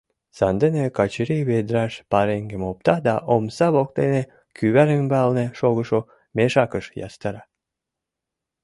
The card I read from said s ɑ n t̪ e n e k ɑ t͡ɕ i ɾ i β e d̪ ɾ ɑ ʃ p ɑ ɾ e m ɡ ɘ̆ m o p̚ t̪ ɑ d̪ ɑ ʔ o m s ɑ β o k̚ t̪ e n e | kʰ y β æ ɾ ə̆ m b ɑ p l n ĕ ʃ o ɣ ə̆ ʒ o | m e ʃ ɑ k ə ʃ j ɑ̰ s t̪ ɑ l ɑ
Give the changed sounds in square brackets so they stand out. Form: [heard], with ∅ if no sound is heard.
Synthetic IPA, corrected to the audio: s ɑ n [d̪] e n e k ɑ t͡ɕ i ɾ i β e d̪ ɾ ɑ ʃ p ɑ ɾ e [ŋ] ɡ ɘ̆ m o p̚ t̪ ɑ d̪ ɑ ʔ o m s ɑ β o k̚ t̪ e n e | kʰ y β æ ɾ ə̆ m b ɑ [∅] l n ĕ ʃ o ɣ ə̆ [ʃ] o | m e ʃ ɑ k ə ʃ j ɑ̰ s t̪ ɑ [ɾ] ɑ